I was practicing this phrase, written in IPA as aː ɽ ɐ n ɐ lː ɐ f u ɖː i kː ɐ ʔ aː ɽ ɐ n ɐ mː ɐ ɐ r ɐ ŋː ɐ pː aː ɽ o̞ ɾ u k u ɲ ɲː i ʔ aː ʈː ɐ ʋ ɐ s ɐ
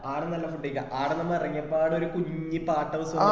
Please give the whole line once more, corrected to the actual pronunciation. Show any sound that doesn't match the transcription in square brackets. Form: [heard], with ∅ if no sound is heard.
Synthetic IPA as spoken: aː ɽ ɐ n ɐ lː ɐ f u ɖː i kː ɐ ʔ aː ɽ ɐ n ɐ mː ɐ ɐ r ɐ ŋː ɐ pː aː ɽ o̞ ɾ u k u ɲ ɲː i [p] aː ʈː ɐ ʋ ɐ s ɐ

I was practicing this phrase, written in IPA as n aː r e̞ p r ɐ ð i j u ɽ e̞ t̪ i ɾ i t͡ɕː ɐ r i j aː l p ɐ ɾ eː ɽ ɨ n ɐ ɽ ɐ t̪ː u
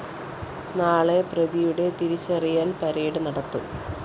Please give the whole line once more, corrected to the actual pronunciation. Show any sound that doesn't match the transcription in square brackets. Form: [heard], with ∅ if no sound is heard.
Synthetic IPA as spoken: n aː [ɭ] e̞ p r ɐ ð i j u ɽ e̞ t̪ i ɾ i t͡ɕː ɐ r i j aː l p ɐ ɾ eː ɽ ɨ n ɐ ɽ ɐ t̪ː u

